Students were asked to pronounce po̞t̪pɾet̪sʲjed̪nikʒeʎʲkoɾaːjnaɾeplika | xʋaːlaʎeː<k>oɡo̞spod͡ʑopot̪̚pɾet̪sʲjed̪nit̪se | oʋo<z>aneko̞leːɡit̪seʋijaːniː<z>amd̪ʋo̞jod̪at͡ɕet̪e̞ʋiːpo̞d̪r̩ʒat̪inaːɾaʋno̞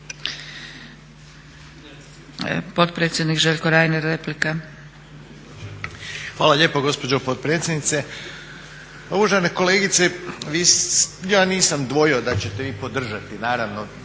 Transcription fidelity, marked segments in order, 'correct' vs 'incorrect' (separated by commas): incorrect, incorrect, incorrect